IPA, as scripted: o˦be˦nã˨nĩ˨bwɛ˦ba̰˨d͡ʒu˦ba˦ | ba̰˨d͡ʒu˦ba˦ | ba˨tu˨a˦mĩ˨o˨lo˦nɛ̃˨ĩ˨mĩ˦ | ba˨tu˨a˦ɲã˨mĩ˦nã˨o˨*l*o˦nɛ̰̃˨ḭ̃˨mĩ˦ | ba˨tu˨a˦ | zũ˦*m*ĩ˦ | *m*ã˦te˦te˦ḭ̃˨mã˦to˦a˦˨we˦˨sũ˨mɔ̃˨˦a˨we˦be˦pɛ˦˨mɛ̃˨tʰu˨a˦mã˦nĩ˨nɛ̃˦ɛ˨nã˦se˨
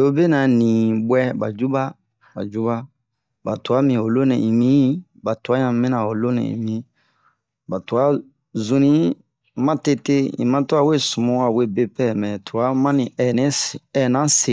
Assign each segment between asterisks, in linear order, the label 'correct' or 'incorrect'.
correct, incorrect: n, correct

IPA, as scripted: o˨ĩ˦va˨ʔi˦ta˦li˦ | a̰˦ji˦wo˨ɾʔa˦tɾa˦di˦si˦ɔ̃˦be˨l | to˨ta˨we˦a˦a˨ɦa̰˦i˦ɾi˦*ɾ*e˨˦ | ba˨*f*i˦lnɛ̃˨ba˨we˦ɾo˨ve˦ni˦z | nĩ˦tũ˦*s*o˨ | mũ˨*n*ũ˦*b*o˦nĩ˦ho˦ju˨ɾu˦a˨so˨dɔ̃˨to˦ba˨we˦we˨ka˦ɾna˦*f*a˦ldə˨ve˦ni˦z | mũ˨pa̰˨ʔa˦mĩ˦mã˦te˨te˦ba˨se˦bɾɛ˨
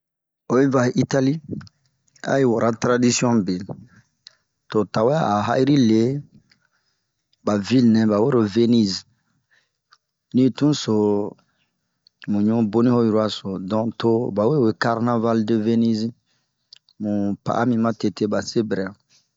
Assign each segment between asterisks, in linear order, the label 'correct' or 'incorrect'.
incorrect: l, incorrect: v, correct, incorrect: ɲ, correct, incorrect: v

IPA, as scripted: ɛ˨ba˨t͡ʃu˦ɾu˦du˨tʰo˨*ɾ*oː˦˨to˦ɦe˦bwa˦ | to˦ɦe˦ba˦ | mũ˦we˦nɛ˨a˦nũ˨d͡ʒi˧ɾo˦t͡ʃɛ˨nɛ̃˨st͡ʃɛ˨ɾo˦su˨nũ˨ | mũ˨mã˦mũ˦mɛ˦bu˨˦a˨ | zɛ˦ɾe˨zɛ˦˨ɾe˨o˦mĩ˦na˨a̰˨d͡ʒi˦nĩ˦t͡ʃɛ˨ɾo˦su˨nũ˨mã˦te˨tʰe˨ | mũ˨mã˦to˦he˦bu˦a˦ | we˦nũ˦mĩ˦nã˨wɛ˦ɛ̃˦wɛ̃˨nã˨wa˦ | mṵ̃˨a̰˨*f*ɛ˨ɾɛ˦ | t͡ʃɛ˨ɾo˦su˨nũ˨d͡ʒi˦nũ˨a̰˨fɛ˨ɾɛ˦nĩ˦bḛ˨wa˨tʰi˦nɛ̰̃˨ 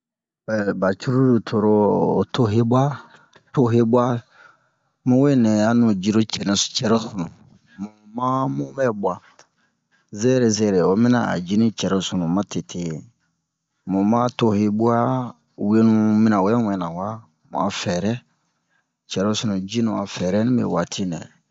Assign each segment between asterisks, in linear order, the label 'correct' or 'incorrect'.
correct, correct

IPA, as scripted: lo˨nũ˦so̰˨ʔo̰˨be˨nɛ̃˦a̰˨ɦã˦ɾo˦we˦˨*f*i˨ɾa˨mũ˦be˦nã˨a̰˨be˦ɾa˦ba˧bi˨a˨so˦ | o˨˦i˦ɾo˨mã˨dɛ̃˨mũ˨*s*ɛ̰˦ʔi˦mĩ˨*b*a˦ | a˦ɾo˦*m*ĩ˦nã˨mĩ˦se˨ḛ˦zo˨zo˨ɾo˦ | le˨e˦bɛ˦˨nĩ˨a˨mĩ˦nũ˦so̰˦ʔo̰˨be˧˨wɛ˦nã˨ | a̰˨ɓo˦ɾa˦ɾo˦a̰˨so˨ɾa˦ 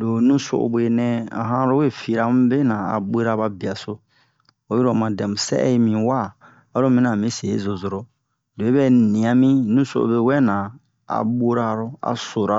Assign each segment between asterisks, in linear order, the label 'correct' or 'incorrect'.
correct, correct, incorrect: w, correct

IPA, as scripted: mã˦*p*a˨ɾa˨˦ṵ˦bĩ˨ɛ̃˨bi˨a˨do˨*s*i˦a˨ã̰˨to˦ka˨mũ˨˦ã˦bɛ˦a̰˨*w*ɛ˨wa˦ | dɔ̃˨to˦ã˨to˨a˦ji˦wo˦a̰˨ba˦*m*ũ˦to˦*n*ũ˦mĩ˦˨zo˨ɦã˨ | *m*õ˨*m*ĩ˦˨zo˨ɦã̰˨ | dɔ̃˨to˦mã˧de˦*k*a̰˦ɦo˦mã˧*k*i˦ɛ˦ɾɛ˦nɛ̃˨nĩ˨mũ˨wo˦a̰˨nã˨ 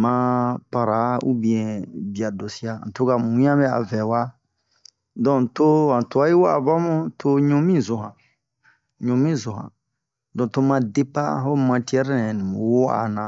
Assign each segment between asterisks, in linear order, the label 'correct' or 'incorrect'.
correct, correct, incorrect: v, correct, incorrect: ɲ, incorrect: ɲ, correct, incorrect: p, incorrect: t

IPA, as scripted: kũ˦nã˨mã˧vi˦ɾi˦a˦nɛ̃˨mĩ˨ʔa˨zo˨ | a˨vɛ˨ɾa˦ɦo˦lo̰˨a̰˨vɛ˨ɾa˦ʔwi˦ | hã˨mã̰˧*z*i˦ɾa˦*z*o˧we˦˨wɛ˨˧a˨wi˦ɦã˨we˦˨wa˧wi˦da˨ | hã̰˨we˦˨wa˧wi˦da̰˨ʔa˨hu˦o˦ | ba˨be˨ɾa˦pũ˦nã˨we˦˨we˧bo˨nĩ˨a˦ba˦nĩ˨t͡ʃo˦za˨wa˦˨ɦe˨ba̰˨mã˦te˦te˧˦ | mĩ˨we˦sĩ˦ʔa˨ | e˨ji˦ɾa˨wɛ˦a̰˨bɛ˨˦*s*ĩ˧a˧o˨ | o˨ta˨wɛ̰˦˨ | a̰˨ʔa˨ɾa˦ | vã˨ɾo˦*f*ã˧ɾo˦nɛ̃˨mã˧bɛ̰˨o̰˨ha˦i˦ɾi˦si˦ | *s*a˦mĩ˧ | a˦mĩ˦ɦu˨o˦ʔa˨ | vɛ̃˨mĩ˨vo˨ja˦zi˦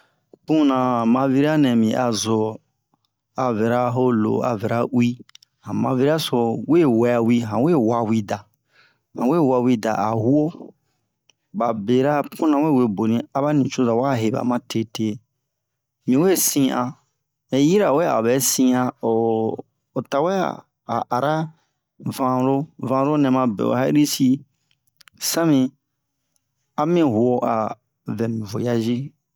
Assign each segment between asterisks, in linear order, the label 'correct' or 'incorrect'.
incorrect: v, incorrect: s, correct, incorrect: v, correct

